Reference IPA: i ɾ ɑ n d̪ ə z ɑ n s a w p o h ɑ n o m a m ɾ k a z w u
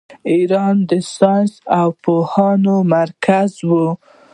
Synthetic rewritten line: i ɾ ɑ n d̪ ə s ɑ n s a w p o h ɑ n o m a ɾ k a z w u